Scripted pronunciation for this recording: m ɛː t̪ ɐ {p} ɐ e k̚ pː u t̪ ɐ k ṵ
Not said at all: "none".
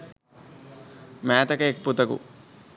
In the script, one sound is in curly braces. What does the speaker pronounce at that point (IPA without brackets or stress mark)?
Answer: k